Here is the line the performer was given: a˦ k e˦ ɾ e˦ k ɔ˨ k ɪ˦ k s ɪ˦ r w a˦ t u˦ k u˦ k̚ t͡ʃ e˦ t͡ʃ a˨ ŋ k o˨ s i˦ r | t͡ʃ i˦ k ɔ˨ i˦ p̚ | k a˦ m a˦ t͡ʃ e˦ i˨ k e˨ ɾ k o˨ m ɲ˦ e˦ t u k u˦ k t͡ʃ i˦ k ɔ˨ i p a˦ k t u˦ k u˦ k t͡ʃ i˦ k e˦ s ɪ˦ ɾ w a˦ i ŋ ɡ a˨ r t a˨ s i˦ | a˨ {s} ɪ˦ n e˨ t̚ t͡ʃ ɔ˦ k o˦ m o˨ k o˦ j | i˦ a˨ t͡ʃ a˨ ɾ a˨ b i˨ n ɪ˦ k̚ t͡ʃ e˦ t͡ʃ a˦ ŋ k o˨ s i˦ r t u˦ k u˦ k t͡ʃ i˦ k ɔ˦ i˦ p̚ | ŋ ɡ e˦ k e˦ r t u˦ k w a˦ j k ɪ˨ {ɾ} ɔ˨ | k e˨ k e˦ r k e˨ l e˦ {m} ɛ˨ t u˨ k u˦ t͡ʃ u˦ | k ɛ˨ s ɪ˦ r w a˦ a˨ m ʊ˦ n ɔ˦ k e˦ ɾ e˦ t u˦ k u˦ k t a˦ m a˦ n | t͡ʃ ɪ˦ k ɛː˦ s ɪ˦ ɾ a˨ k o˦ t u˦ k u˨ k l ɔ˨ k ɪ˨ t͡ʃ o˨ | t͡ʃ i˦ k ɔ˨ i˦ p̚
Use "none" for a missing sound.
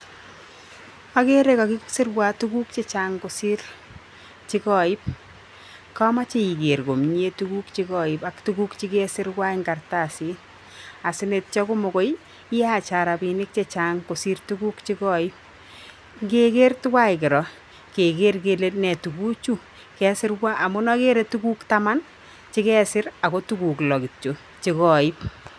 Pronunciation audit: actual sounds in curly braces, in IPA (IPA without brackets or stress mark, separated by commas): s, ɾ, n